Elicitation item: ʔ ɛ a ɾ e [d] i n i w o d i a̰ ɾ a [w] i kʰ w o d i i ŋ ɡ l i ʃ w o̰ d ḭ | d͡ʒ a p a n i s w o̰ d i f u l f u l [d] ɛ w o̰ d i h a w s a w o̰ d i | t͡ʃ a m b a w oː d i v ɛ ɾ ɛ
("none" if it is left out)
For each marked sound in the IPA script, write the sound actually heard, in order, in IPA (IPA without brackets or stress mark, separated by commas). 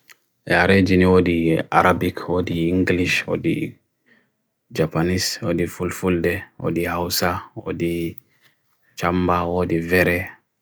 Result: d͡ʒ, b, d